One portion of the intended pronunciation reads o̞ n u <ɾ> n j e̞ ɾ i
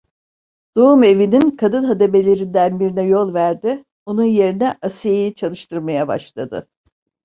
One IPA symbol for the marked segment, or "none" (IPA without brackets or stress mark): none